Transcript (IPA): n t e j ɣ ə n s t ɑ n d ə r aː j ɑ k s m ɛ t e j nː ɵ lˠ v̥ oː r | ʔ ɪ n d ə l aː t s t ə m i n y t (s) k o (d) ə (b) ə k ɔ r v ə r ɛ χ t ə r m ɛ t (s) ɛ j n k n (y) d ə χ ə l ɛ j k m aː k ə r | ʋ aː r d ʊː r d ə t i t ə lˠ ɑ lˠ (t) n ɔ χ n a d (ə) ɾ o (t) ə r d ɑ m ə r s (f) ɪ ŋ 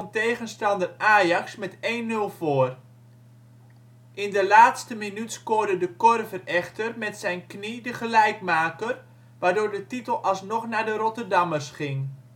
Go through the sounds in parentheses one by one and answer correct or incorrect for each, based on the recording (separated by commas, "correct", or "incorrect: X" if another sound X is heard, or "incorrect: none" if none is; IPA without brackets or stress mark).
correct, correct, incorrect: d, correct, incorrect: i, incorrect: s, correct, correct, incorrect: χ